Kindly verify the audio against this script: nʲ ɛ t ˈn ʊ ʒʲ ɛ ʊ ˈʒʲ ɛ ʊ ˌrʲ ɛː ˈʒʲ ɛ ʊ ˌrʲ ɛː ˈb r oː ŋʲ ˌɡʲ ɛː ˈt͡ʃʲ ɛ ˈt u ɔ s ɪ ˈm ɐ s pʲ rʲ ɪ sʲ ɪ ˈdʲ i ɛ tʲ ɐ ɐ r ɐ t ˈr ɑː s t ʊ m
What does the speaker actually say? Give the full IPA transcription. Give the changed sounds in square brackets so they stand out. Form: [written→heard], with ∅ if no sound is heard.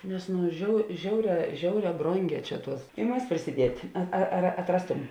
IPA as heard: nʲ ɛ [t→s] ˈn ʊ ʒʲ ɛ ʊ ˈʒʲ ɛ ʊ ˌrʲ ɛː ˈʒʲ ɛ ʊ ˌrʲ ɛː ˈb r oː ŋʲ ˌɡʲ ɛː ˈt͡ʃʲ ɛ ˈt u ɔ s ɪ ˈm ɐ s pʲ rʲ ɪ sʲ ɪ ˈdʲ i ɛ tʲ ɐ ɐ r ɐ t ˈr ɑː s t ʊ m